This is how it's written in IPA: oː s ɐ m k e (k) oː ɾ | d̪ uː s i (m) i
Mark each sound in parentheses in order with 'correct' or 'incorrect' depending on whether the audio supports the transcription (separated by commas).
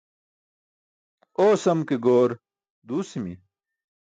incorrect, correct